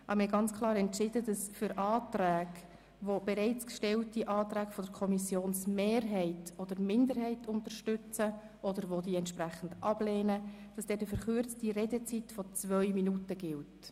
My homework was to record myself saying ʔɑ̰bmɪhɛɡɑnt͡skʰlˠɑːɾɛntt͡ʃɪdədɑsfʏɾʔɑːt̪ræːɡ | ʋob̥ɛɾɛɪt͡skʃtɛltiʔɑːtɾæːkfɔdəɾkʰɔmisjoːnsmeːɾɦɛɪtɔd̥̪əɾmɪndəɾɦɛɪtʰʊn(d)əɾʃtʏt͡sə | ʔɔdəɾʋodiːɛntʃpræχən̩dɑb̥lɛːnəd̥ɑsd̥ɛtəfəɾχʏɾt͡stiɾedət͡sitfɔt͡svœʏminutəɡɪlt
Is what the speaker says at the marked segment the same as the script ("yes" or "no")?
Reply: no